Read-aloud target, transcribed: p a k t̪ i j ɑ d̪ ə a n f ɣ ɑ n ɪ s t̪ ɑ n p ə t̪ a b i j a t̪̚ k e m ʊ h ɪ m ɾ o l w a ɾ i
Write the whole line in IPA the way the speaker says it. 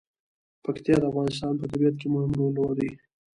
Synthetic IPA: p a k t̪ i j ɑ d̪ ə a f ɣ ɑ n ɪ s t̪ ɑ n p ə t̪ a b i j a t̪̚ k e m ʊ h ɪ m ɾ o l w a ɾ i